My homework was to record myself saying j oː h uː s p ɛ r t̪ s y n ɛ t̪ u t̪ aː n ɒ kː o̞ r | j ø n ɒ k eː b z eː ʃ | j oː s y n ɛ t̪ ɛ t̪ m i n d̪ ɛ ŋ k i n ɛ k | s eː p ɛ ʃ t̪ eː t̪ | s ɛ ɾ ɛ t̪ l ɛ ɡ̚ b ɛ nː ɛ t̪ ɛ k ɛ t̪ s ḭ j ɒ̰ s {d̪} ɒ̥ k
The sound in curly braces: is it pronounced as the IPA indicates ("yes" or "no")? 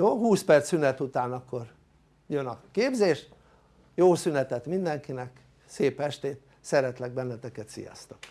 no